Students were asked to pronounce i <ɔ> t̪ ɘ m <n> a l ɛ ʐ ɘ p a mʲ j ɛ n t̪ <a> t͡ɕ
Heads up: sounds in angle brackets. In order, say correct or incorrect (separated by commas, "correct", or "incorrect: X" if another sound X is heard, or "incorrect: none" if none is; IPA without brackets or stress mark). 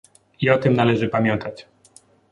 correct, correct, correct